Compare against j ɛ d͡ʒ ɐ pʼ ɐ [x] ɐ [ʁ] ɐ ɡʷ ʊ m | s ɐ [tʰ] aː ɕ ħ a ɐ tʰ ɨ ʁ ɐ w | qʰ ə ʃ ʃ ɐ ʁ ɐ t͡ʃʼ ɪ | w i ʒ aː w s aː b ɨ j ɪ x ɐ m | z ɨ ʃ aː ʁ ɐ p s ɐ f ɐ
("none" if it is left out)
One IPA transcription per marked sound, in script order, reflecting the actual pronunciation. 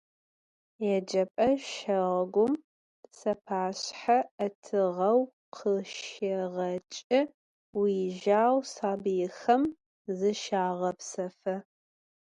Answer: ʃ, ʁ, pʰ

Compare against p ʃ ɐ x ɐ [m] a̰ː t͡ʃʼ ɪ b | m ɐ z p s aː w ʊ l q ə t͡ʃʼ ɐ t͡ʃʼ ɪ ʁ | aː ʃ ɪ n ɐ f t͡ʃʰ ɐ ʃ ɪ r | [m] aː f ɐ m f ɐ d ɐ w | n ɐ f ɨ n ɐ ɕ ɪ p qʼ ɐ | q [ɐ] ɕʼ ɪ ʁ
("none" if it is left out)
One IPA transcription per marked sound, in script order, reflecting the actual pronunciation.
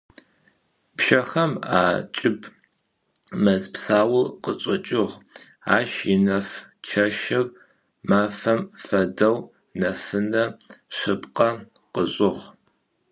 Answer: m, m, ə

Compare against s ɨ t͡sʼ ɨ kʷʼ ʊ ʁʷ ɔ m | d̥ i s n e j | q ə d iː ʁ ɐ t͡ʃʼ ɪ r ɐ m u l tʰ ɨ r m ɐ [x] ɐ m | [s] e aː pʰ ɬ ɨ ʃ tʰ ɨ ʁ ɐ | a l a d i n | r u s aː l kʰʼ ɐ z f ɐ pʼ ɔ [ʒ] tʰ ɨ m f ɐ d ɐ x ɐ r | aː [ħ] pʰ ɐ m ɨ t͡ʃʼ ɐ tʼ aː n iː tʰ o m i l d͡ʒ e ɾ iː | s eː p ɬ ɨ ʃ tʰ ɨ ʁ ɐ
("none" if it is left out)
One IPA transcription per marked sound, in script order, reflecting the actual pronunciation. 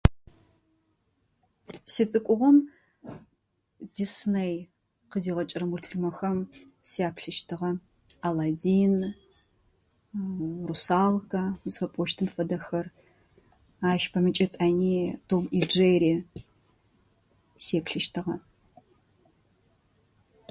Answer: x, s, ʃ, ʃ

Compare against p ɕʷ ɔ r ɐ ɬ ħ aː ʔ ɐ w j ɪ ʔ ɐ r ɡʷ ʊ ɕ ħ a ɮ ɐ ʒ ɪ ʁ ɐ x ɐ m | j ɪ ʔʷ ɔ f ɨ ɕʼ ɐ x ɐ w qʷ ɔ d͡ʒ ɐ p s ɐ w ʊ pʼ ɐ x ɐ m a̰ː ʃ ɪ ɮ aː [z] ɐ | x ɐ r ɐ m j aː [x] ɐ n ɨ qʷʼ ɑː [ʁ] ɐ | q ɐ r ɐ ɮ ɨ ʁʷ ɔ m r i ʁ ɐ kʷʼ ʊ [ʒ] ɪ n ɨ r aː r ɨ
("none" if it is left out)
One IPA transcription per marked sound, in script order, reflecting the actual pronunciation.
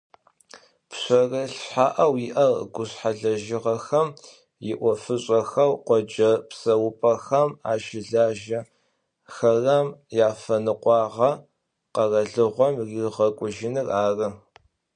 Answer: ʒ, f, ʁ, ʒ

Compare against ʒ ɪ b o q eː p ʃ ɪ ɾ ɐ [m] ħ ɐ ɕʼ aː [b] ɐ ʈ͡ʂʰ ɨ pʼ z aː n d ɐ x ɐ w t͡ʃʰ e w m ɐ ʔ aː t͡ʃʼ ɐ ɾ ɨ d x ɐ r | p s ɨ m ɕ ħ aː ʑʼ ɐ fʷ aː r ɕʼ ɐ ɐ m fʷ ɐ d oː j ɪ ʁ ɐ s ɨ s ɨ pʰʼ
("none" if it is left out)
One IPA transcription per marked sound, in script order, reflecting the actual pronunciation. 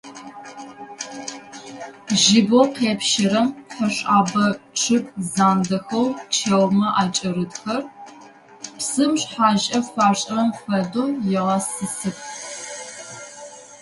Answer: m, b

